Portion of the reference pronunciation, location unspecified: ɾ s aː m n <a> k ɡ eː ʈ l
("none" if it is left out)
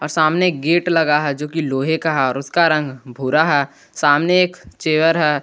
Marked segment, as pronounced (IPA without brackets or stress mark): e